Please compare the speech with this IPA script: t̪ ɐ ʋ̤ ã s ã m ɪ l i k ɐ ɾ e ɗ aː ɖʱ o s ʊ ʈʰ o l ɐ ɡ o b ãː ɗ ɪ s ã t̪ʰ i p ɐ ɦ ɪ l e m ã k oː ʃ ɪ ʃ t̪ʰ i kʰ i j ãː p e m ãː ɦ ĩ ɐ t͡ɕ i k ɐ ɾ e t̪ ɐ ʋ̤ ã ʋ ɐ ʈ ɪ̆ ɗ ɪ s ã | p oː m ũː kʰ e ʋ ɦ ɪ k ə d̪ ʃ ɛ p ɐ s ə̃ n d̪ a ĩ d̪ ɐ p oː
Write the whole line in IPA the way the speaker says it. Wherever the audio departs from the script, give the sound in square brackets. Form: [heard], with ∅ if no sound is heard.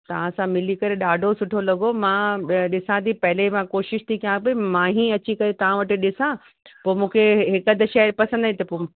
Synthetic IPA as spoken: t̪ ɐ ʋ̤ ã s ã m ɪ l i k ɐ ɾ e ɗ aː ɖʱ o s ʊ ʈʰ o l ɐ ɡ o [m] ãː ɗ ɪ s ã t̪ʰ i p ɐ ɦ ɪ l e m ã k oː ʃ ɪ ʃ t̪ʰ i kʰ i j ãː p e m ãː ɦ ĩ ɐ t͡ɕ i k ɐ ɾ e t̪ ɐ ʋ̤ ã ʋ ɐ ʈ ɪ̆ ɗ ɪ s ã | p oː m ũː kʰ e [∅] ɦ ɪ k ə d̪ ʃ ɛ p ɐ s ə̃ n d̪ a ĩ [t̪] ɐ p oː